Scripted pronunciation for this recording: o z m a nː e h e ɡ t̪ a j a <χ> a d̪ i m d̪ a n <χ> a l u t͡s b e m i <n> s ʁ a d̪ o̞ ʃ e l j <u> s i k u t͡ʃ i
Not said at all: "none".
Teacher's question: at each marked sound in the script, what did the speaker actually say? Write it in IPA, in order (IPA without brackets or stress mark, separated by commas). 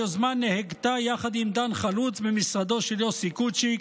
χ, χ, none, o